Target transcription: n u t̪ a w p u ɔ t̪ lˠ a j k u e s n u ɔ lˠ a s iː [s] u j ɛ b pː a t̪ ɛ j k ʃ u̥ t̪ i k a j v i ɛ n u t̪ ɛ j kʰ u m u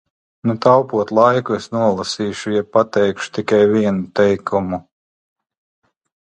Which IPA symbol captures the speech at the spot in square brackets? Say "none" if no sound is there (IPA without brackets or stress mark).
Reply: ʃ